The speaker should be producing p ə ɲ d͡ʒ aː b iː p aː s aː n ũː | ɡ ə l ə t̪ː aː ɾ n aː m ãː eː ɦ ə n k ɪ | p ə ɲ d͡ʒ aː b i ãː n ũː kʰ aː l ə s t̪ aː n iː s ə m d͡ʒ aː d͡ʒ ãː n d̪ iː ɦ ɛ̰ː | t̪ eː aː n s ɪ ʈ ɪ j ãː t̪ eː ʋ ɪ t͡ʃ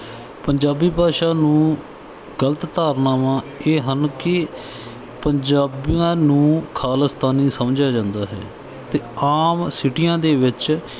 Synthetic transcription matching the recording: p ə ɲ d͡ʒ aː b iː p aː ʃ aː n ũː | ɡ ə l ə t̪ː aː ɾ n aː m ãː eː ɦ ə n k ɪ | p ə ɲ d͡ʒ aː b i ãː n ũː kʰ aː l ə s t̪ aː n iː s ə m d͡ʒ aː d͡ʒ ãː n d̪ aː ɦ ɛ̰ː | t̪ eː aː m s ɪ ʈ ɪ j ãː d̪ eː ʋ ɪ t͡ʃ